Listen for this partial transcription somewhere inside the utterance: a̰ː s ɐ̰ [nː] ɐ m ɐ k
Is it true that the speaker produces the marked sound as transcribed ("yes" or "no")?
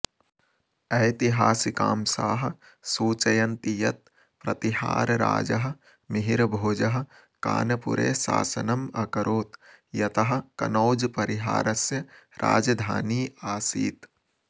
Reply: no